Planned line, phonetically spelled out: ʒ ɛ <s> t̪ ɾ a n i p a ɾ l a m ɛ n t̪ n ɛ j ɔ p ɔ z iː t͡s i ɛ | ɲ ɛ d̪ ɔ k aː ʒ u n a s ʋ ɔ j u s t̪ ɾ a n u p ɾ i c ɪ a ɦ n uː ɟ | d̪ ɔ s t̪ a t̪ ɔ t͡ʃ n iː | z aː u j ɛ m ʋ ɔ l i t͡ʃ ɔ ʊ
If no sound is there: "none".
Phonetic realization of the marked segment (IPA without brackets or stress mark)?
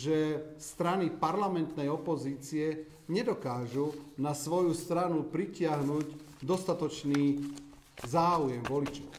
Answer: s